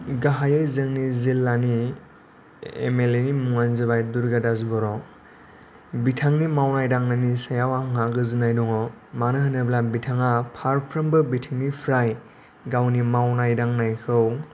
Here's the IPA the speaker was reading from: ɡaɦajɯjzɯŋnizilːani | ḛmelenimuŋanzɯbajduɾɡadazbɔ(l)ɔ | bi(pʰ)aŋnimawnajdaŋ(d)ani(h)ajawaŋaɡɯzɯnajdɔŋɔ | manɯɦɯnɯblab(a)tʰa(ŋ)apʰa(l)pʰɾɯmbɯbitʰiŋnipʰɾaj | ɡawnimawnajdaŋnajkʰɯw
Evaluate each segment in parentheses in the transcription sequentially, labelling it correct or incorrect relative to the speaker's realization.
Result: incorrect, incorrect, incorrect, incorrect, incorrect, correct, incorrect

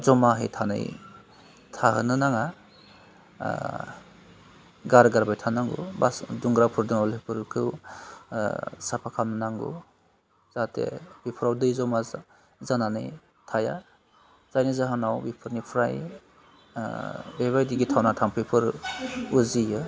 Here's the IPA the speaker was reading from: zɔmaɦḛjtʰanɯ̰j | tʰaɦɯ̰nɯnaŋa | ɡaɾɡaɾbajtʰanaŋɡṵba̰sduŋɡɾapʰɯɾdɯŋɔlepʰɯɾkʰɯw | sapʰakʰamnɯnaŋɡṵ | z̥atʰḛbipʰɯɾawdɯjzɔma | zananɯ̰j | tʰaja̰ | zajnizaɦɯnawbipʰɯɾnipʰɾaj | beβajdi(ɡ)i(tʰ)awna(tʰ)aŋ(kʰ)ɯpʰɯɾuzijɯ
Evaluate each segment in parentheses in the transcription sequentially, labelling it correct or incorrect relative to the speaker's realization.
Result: correct, correct, correct, incorrect

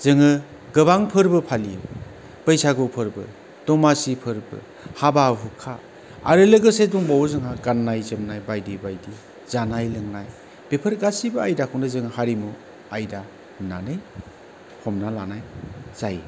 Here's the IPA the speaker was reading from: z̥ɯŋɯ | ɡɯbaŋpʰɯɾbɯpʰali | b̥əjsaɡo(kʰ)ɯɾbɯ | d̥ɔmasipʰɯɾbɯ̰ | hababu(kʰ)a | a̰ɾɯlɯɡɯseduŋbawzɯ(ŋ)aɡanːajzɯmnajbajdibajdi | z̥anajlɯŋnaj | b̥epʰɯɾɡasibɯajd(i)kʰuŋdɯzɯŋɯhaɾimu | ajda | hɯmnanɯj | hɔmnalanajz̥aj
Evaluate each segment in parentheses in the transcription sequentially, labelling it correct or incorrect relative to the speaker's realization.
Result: incorrect, correct, correct, incorrect

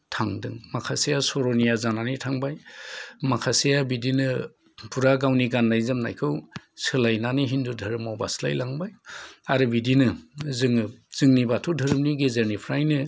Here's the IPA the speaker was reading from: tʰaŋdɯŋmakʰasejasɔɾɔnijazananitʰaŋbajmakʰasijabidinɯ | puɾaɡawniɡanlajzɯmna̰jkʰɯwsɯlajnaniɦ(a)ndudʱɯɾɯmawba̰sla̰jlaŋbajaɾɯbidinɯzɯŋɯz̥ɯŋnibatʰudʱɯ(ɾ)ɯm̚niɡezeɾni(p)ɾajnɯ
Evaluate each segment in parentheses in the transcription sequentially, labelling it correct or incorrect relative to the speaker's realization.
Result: incorrect, correct, incorrect

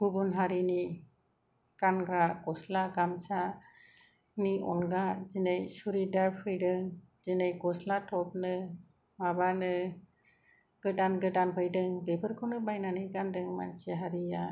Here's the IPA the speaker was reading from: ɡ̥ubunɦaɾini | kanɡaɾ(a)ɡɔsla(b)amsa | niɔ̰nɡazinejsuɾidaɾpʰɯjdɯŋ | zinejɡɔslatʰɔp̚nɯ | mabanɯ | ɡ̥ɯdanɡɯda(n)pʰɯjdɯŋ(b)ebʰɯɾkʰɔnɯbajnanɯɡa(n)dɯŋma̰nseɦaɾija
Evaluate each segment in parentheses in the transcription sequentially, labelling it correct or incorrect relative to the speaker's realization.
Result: correct, incorrect, correct, correct, correct

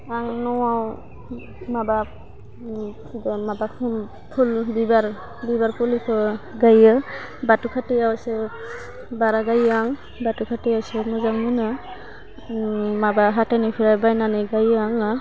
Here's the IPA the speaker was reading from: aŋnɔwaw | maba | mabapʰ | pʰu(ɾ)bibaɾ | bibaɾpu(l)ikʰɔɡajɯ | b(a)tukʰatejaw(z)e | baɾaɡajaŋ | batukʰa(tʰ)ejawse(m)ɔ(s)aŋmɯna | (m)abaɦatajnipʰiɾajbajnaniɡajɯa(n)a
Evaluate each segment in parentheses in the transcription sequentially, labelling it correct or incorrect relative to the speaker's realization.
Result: incorrect, correct, correct, incorrect, incorrect, correct, incorrect, correct, incorrect

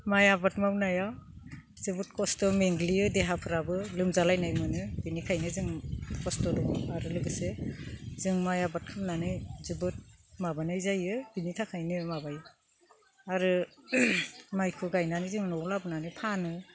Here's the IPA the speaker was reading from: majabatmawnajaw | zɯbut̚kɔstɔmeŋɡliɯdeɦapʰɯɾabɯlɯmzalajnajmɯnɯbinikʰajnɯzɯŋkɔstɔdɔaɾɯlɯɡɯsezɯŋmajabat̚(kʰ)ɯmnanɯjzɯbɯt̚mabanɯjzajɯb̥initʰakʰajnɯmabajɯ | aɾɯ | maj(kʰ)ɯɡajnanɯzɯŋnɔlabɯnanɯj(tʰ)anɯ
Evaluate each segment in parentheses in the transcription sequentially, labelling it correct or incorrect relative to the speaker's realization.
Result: correct, correct, incorrect

